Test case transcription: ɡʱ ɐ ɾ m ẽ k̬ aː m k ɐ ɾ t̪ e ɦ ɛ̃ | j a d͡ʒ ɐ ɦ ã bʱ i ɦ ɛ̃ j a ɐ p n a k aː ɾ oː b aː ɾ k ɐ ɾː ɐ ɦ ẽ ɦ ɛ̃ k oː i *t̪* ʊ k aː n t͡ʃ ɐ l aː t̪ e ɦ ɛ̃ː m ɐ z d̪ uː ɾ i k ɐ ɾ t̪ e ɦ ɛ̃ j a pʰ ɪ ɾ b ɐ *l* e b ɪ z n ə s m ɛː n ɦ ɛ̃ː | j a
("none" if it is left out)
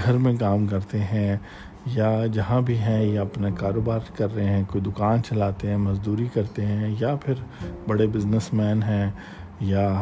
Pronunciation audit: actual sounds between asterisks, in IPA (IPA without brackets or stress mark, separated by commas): d̪, ɽ